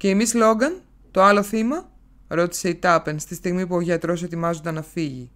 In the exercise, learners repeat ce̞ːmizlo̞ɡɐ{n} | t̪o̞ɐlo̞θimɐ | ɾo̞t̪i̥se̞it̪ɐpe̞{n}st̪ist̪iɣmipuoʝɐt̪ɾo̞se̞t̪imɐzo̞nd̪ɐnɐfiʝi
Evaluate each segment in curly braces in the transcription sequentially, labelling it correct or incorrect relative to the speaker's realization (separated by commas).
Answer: correct, correct